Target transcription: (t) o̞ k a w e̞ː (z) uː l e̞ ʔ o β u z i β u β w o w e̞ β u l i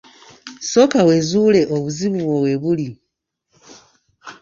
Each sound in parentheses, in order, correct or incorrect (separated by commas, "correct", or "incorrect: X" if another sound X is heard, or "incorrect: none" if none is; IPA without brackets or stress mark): incorrect: s, correct